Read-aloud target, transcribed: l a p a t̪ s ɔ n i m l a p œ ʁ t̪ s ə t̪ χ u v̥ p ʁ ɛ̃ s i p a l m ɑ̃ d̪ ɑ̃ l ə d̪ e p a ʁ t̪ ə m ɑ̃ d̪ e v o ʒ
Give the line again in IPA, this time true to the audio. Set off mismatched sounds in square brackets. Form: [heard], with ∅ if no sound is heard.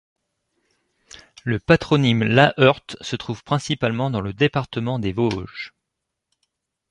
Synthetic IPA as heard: l [ə] p a t̪ [χ] ɔ n i m l a [ʔ] œ ʁ t̪ s ə t̪ χ u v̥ p [χ] ɛ̃ s i p a l m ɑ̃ d̪ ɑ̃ l ə d̪ e p a ʁ t̪ ə m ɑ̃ d̪ e v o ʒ

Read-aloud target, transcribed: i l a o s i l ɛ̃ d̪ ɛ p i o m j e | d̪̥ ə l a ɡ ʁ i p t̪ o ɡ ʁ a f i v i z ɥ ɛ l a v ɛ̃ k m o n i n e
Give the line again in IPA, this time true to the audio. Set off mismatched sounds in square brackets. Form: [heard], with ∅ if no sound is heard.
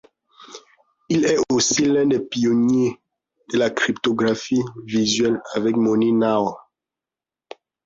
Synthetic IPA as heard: i l [ɛ] o s i l ɛ̃ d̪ ɛ p i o [n] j e | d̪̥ ə l a [k] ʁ i p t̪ o ɡ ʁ a f i v i z ɥ ɛ l a v [ɛ] k m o n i n [a]

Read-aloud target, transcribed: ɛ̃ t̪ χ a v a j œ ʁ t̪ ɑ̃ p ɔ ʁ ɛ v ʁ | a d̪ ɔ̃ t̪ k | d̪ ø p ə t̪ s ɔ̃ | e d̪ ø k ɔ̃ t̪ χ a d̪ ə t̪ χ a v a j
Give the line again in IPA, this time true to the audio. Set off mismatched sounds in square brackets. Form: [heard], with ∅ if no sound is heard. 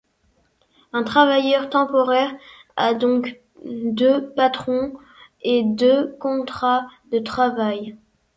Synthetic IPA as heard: ɛ̃ t̪ χ a v a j œ ʁ t̪ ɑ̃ p ɔ ʁ ɛ [∅] ʁ | a d̪ ɔ̃ [∅] k | d̪ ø p [a] t̪ [χ] ɔ̃ | e d̪ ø k ɔ̃ t̪ χ a d̪ ə t̪ χ a v a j

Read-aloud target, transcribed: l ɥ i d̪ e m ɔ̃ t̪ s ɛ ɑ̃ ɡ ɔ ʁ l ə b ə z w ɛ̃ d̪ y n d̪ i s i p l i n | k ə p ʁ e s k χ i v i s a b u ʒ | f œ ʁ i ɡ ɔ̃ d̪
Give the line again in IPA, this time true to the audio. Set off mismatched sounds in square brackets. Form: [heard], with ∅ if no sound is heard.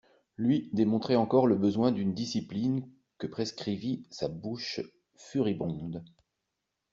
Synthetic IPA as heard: l ɥ i d̪ e m ɔ̃ t̪ [χ] ɛ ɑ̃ [k] ɔ ʁ l ə b ə z w ɛ̃ d̪ y n d̪ i s i p l i n | k ə p [χ] e s k χ i v i s a b u [ʃ] | f [y] ʁ i [b] ɔ̃ d̪

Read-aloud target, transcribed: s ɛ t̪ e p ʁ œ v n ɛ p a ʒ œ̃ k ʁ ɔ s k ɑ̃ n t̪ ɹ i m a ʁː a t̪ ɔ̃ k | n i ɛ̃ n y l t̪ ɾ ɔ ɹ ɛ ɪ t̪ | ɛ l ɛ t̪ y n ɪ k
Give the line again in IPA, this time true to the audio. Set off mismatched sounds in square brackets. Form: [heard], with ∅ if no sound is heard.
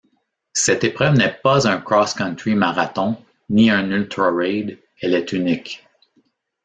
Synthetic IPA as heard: s ɛ t̪ e p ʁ œ v n ɛ p a [z] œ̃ k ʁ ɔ s k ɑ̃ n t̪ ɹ i m a [ʁ] a t̪ ɔ̃ [∅] | n i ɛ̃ n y l t̪ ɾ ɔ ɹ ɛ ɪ [d̪] | ɛ l ɛ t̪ y n ɪ k

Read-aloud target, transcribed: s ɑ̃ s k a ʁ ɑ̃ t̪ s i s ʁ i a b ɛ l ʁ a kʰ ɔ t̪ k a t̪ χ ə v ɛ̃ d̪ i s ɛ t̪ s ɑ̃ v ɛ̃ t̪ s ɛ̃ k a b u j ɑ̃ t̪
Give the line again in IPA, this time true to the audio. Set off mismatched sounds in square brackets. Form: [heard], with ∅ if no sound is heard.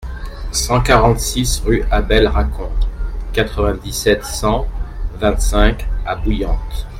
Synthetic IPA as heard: s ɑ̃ [∅] k a ʁ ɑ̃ t̪ s i s ʁ [y] a b ɛ l ʁ a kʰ [ɔ̃] t̪ k a t̪ χ ə v ɛ̃ d̪ i s ɛ t̪ s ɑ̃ v ɛ̃ t̪ s ɛ̃ k a b u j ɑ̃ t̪

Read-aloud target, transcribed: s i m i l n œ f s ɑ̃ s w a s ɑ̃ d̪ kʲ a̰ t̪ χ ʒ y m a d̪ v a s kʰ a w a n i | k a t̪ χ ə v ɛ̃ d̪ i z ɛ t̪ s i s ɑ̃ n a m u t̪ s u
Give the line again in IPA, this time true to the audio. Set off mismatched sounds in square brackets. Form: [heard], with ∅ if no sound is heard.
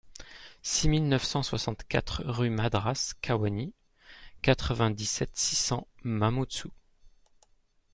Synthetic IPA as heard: s i m i l n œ f s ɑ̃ s w a s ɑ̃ [t̪] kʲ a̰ t̪ χ [ʁ] y m a d̪ [ʁ] a s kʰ a w a n i | k a t̪ χ ə v ɛ̃ d̪ i [s] ɛ t̪ s i s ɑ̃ [m] a m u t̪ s u

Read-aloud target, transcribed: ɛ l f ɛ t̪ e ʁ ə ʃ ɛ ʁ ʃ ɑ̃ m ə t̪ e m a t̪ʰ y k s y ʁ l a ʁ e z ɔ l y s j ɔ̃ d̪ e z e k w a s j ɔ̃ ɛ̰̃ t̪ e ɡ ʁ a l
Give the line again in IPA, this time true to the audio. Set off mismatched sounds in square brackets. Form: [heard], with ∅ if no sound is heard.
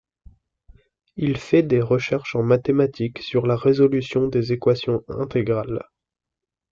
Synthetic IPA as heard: [i] l f ɛ [d̪] e ʁ ə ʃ ɛ ʁ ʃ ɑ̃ m [a] t̪ e m a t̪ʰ [i] k s y ʁ l a ʁ e z ɔ l y s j ɔ̃ d̪ e z e k w a s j ɔ̃ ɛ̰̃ t̪ e ɡ ʁ a l

